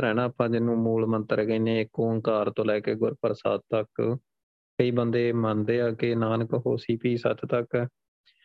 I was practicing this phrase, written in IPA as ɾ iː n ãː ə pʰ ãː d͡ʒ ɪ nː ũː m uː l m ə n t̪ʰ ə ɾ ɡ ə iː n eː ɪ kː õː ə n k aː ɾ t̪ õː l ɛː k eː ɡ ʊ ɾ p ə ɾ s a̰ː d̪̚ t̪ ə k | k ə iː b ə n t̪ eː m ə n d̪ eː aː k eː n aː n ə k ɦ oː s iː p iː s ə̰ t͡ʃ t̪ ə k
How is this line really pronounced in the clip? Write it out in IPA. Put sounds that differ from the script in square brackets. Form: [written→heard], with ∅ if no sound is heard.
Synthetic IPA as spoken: ɾ [iː→ɛː] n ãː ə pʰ ãː d͡ʒ ɪ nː ũː m uː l m ə n [t̪ʰ→t̪] ə ɾ ɡ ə iː n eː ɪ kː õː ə [n→ŋ] k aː ɾ t̪ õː l ɛː k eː ɡ ʊ ɾ p ə ɾ s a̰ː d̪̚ t̪ ə k | k ə iː b ə n [t̪→d̪] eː m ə n d̪ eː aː k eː n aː n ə k ɦ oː s iː p iː s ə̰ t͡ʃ t̪ ə k